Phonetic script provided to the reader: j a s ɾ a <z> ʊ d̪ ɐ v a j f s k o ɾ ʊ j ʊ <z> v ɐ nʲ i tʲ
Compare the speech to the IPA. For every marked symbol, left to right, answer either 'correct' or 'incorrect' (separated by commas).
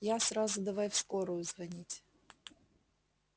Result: correct, correct